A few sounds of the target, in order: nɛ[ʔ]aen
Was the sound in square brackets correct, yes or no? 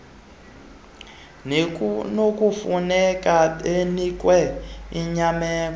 no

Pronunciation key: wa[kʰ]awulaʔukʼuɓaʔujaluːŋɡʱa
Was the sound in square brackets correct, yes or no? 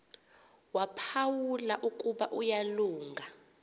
no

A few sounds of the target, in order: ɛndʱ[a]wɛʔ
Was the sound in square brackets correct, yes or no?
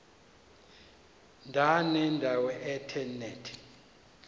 yes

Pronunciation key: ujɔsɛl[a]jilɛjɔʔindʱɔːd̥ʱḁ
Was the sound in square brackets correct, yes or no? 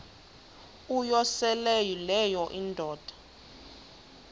no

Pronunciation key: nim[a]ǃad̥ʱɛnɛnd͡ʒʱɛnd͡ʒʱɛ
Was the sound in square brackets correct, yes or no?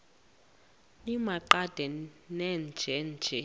yes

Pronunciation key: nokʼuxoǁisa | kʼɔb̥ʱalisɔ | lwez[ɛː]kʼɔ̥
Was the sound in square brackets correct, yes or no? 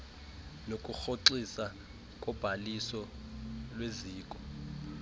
no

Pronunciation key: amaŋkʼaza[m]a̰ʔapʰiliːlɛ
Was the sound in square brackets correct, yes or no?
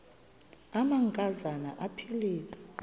no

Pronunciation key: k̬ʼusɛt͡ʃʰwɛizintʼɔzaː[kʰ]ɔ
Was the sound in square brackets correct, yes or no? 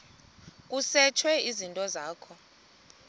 yes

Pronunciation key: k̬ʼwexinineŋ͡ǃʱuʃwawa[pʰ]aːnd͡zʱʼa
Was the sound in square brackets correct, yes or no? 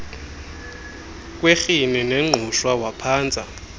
yes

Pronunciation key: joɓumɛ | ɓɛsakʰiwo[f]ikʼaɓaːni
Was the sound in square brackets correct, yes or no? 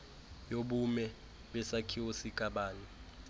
no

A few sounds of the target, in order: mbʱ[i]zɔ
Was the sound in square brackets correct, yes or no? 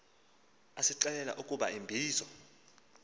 no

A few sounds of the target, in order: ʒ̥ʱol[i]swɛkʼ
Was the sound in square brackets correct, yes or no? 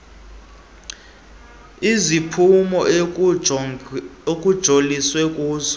yes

